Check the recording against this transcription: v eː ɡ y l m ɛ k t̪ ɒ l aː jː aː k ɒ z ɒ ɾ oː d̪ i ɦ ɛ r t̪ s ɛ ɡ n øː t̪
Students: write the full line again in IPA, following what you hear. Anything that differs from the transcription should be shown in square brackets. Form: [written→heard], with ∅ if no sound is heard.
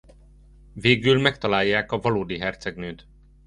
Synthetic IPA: v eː ɡ y l m ɛ k t̪ ɒ l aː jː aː k ɒ [z→v] ɒ [ɾ→l] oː d̪ i ɦ ɛ r t̪ s ɛ ɡ n øː t̪

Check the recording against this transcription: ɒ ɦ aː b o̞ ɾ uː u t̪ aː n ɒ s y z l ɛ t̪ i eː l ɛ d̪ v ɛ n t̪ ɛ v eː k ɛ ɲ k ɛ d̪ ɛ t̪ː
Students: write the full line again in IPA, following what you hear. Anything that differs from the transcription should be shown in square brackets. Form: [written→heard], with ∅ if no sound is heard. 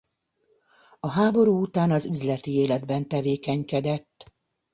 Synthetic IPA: ɒ ɦ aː b o̞ ɾ uː u t̪ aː n ɒ [s→z] y z l ɛ t̪ i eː l ɛ d̪ [v→b] ɛ n t̪ ɛ v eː k ɛ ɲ k ɛ d̪ ɛ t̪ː

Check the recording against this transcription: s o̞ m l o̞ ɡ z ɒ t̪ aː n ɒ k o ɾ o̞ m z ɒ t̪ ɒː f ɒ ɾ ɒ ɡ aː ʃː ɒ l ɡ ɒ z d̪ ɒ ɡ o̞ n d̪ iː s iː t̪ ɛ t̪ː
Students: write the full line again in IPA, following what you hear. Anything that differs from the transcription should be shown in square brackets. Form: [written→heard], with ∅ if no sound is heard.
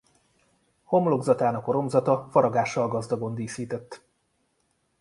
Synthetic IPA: [s→h] o̞ m l o̞ ɡ z ɒ t̪ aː n ɒ k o ɾ o̞ m z ɒ t̪ [ɒː→ɒ] f ɒ ɾ ɒ ɡ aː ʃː ɒ l ɡ ɒ z d̪ ɒ ɡ o̞ n d̪ iː s iː t̪ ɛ t̪ː

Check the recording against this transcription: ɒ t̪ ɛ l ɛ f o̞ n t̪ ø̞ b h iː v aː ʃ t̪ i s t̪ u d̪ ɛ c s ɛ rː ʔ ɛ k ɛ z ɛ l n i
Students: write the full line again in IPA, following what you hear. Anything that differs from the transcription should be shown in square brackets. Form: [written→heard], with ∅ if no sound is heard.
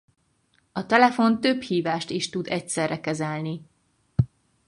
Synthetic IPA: ɒ t̪ ɛ l ɛ f o̞ n t̪ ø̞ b h iː v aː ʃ t̪ i [s→ʃ] t̪ u d̪ ɛ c s ɛ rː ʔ ɛ k ɛ z ɛ l n i

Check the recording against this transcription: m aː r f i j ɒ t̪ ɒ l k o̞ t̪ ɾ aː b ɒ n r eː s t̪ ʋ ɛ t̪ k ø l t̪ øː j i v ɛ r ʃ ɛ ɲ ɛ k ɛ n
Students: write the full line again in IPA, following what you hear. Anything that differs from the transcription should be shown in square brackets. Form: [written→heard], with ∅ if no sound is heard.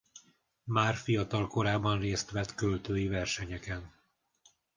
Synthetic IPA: m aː r f i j ɒ t̪ ɒ l k o̞ [t̪→∅] ɾ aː b ɒ n r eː s t̪ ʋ ɛ t̪ k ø l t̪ øː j i v ɛ r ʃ ɛ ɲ ɛ k ɛ n

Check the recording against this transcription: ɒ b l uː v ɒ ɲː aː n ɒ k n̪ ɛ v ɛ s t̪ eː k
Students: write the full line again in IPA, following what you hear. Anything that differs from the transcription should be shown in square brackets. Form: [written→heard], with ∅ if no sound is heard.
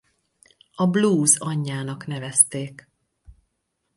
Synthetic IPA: ɒ b l uː [v→z] ɒ ɲː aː n ɒ k n̪ ɛ v ɛ s t̪ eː k

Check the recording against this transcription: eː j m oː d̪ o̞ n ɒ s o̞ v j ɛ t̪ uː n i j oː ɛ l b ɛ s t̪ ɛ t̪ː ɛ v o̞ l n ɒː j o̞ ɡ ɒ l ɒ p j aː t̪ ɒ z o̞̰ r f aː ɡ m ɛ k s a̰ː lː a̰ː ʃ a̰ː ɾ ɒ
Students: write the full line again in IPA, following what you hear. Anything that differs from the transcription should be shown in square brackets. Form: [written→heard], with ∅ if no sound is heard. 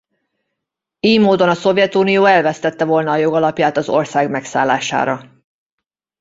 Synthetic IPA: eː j m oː d̪ o̞ n ɒ s o̞ v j ɛ t̪ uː n i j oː ɛ l [b→v] ɛ s t̪ ɛ t̪ː ɛ v o̞ l n ɒː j o̞ ɡ ɒ l ɒ p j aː t̪ ɒ z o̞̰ r [f→s] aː ɡ m ɛ k s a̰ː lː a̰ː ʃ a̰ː ɾ ɒ

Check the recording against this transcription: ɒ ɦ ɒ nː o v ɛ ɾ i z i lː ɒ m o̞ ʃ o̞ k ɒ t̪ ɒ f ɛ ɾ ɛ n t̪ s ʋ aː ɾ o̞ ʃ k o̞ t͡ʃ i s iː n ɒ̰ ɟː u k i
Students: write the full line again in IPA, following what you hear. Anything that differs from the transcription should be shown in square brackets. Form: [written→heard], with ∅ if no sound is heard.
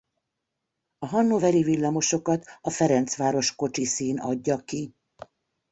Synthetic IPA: ɒ ɦ ɒ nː o v ɛ ɾ i [z→v] i lː ɒ m o̞ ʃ o̞ k ɒ t̪ ɒ f ɛ ɾ ɛ n t̪ s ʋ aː ɾ o̞ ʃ k o̞ t͡ʃ i s iː n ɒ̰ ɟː [u→ɒ] k i

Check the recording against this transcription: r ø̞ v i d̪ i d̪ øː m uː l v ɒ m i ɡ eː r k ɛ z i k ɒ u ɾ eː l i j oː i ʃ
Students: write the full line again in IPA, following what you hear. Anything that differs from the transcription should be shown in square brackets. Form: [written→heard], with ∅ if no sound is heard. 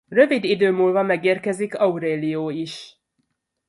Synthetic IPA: r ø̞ v i d̪ i d̪ øː m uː l v ɒ m [i→ɛ] ɡ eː r k ɛ z i k ɒ u ɾ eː l i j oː i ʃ

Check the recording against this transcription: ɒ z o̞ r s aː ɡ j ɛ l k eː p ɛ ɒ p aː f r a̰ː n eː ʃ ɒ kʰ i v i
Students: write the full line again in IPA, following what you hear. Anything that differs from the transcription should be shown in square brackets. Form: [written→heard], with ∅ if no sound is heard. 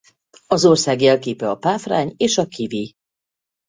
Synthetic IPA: ɒ z o̞ r s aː ɡ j ɛ l k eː p ɛ ɒ p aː f r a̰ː [n→ɲ] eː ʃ ɒ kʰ i v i

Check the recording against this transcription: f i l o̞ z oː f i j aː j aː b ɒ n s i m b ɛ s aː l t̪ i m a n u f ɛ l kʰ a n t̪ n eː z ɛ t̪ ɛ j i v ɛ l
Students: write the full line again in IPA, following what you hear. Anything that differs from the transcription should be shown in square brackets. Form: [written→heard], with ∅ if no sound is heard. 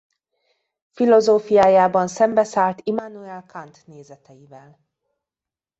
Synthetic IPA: f i l o̞ z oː f i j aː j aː b ɒ n s [i→ɛ] m b ɛ s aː l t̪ i m a n u [f→∅] ɛ l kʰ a n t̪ n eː z ɛ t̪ ɛ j i v ɛ l

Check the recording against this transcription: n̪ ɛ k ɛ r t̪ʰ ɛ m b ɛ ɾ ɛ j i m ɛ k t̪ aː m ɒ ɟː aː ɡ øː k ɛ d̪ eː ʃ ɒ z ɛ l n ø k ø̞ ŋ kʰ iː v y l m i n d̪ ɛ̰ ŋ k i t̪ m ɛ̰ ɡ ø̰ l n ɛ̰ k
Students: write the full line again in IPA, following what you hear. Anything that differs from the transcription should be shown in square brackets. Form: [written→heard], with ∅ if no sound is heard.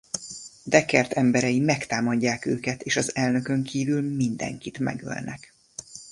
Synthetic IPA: [n̪→d̪] ɛ k ɛ r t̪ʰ ɛ m b ɛ ɾ ɛ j i m ɛ k t̪ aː m ɒ ɟː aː [ɡ→k] øː k ɛ [d̪→t̪] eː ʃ ɒ z ɛ l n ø k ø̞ ŋ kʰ iː v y l m i n d̪ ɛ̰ ŋ k i t̪ m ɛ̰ ɡ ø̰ l n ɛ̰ k

